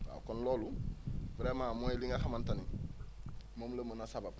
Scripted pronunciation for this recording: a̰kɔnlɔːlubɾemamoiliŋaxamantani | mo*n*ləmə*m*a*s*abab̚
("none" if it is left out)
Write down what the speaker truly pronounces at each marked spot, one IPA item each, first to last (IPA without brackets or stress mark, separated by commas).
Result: m, n, s